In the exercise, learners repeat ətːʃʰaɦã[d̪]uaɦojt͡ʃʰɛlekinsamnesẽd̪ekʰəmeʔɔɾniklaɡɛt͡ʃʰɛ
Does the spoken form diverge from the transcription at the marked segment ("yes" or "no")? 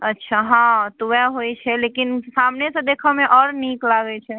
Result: yes